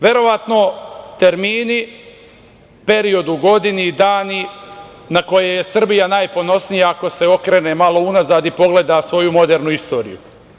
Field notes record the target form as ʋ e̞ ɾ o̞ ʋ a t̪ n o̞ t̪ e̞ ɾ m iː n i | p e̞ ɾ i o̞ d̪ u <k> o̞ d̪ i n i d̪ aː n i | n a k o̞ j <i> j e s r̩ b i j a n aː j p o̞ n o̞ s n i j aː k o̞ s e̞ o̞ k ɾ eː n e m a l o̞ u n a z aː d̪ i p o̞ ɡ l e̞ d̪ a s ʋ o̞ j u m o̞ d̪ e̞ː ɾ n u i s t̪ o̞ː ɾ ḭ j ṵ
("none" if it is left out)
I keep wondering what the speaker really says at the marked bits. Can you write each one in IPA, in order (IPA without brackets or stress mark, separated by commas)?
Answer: ɡ, e